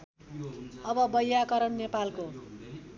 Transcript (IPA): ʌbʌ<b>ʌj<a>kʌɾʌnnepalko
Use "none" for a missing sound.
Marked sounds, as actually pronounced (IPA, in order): b, a

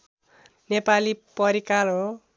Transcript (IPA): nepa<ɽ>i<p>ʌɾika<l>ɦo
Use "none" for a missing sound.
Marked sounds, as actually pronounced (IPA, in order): l, p, l

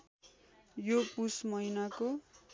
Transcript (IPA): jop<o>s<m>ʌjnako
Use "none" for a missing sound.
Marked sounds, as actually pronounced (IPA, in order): u, m

